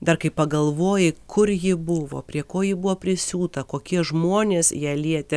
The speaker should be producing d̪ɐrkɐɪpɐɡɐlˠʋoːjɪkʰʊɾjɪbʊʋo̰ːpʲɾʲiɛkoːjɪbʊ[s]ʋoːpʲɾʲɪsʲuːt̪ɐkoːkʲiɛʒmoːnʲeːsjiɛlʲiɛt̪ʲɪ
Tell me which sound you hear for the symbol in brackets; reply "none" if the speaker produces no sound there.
none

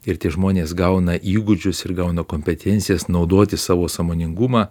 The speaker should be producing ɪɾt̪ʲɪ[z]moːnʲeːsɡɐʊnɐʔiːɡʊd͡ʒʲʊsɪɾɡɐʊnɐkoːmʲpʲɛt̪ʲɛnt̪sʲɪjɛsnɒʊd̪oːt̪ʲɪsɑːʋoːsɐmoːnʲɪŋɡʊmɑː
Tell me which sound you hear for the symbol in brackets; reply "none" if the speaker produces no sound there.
ʒ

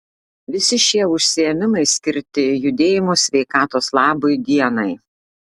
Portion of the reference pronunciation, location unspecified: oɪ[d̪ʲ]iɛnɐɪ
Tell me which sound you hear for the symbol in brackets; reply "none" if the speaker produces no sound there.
d̪ʲ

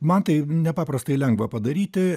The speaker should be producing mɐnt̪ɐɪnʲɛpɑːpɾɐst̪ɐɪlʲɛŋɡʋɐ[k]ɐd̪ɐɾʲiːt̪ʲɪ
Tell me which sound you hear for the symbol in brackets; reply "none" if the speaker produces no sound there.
p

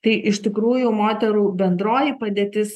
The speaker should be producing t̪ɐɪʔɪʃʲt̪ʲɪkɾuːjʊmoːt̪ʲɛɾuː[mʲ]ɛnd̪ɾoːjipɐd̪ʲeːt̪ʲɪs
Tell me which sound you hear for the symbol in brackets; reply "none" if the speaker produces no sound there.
bʲ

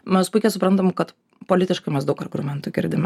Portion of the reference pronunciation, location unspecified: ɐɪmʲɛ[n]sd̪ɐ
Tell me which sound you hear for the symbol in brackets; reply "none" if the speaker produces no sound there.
none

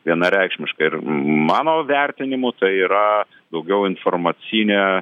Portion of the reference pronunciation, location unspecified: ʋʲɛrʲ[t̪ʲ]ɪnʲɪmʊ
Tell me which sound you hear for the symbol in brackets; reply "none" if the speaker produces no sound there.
t̪ʲ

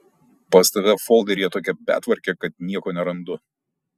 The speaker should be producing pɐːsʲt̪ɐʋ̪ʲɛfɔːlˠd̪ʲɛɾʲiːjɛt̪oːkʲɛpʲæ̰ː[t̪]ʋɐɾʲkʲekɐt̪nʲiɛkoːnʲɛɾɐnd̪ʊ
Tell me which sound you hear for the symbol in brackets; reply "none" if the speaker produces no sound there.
t̪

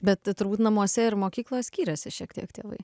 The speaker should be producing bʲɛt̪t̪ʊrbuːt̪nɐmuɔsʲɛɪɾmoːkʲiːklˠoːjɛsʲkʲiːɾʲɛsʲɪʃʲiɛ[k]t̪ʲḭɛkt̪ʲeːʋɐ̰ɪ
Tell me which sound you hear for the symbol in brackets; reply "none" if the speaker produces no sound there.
k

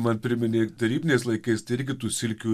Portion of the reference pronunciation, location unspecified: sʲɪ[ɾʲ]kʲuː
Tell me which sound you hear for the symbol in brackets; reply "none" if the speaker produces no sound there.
lʲ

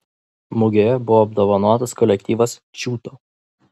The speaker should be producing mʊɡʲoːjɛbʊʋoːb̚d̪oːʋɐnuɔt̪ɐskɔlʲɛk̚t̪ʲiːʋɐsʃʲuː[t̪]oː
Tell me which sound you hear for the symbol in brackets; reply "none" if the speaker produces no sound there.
t̪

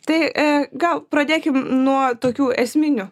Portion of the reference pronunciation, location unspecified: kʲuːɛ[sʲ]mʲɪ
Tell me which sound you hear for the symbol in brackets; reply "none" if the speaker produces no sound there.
sʲ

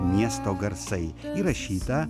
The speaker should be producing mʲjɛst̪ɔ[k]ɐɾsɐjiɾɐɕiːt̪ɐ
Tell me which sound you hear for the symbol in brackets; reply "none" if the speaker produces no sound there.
ɡ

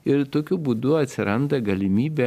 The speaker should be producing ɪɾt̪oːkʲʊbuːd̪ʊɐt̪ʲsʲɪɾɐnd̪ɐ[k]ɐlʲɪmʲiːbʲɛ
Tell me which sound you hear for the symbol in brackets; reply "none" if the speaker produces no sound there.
ɡ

